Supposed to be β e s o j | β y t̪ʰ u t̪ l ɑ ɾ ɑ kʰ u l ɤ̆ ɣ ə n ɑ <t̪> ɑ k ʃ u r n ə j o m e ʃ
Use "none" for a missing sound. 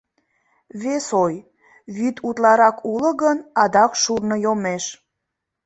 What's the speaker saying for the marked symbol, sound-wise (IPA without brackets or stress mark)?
d̪